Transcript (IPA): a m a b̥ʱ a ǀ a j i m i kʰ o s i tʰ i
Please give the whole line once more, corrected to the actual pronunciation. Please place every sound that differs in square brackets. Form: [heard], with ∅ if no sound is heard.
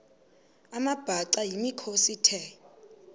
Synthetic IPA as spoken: a m a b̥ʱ a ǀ a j i m i kʰ o s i tʰ [ɛ]